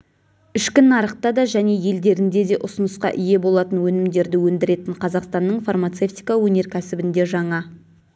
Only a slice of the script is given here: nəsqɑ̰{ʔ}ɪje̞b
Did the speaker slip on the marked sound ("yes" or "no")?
no